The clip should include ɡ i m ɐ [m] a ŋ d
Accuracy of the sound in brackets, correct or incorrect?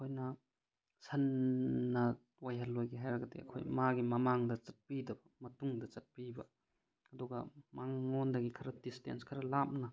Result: correct